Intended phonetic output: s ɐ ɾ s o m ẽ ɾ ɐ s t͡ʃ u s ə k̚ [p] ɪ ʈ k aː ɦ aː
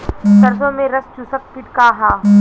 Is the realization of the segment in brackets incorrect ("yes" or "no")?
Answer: no